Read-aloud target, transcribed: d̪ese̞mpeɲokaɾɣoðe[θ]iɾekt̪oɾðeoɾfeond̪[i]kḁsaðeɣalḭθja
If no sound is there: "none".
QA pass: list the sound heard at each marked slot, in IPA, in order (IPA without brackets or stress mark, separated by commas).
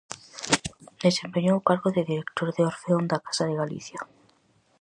ð, a